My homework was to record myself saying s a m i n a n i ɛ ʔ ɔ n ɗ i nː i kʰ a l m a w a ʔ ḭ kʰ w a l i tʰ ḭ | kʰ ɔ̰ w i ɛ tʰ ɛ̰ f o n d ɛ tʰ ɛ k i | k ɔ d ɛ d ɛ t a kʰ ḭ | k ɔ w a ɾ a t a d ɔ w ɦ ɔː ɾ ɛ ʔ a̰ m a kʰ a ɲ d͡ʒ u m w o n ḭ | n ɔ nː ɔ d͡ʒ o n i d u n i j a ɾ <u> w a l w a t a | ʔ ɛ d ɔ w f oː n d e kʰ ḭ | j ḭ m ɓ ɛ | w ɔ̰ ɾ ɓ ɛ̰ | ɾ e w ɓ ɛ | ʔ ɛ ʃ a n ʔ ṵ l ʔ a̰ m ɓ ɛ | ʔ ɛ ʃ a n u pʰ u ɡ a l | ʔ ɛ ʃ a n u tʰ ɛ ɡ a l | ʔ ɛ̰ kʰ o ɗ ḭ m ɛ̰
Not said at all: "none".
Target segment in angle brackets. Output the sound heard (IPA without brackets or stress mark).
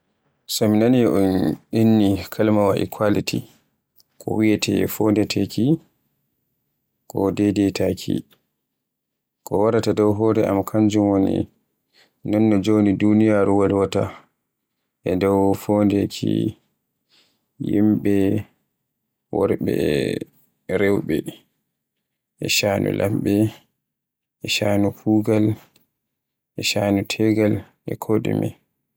u